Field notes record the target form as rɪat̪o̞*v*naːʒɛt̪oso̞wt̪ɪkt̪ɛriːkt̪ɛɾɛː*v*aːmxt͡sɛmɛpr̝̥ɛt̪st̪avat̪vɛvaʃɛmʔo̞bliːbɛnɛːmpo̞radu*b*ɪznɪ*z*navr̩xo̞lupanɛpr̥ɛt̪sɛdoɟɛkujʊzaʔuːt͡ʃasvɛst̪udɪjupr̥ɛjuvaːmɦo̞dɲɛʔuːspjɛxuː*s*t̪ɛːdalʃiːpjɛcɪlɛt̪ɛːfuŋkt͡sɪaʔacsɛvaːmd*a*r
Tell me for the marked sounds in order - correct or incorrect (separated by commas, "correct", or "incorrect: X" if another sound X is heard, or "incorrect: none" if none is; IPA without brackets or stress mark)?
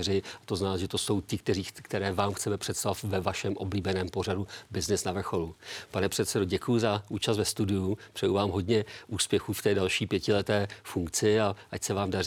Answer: incorrect: z, correct, correct, incorrect: s, incorrect: f, correct